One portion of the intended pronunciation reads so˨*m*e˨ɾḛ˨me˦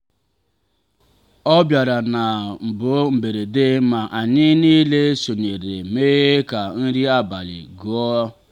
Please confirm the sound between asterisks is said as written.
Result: no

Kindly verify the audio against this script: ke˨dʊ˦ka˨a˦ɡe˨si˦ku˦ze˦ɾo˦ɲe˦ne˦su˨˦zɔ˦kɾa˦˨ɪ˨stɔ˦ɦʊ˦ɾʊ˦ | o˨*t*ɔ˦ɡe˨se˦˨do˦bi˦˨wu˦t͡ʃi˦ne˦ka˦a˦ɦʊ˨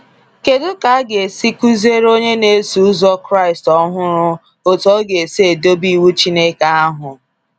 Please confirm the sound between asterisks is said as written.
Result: yes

